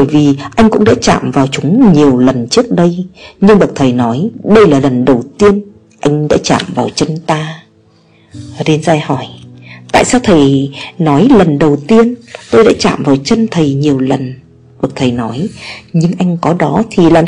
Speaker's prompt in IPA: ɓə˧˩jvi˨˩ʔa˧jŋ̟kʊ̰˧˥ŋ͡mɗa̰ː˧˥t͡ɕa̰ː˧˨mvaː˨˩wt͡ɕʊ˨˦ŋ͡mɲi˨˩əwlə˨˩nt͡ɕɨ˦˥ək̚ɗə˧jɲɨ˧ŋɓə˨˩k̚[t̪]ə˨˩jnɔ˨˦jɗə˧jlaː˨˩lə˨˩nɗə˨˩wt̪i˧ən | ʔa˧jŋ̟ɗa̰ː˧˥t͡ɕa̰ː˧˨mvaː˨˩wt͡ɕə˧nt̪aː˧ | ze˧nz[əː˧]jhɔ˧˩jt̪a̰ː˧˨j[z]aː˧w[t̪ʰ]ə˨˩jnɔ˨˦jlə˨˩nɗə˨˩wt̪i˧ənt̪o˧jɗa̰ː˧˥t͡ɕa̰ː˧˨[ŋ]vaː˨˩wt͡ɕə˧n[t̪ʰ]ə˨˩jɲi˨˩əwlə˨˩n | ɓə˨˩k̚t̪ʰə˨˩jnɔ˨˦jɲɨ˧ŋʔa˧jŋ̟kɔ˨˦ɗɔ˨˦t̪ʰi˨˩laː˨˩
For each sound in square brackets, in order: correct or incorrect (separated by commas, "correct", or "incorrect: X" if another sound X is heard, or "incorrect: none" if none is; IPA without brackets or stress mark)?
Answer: incorrect: t̪ʰ, incorrect: aː˧, incorrect: s, correct, incorrect: m, correct